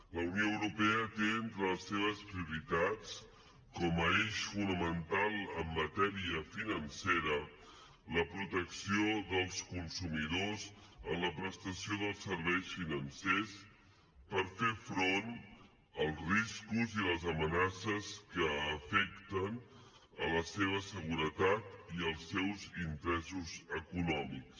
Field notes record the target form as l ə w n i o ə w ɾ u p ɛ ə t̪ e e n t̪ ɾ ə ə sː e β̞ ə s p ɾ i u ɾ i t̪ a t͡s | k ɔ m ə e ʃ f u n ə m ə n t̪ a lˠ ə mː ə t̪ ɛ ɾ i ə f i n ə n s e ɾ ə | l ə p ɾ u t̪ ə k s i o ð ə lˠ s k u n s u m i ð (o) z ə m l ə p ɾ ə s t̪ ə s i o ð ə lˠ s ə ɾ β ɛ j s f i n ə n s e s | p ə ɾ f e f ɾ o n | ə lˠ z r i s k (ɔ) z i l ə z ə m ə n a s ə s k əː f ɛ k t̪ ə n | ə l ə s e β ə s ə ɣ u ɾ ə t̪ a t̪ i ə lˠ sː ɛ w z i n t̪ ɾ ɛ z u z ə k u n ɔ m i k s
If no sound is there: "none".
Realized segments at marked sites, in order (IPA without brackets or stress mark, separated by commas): o, u